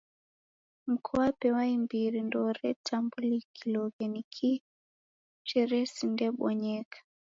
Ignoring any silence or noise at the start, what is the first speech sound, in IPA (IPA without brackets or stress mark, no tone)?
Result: m̩